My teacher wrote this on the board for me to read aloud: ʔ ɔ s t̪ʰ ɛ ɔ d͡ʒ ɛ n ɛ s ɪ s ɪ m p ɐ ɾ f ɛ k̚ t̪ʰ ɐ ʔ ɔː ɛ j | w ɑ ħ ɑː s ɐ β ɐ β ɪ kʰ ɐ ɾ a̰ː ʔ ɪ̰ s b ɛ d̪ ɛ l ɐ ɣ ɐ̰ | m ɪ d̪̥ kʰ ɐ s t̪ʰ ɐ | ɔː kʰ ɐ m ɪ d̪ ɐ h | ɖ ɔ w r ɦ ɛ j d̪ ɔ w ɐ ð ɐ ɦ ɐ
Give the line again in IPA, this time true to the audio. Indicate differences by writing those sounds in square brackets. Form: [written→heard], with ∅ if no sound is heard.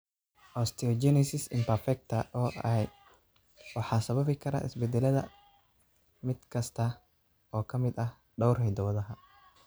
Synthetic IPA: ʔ ɔ s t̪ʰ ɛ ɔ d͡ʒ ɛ n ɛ s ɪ s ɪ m p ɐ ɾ f ɛ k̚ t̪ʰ ɐ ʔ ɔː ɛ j | w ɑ ħ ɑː s ɐ β ɐ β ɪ kʰ ɐ ɾ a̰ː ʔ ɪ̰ s b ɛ d̪ ɛ l ɐ [ɣ→ð] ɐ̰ | m ɪ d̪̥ kʰ ɐ s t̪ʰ ɐ | ɔː kʰ ɐ m ɪ d̪ ɐ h | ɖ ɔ w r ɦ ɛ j d̪ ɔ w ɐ ð ɐ ɦ ɐ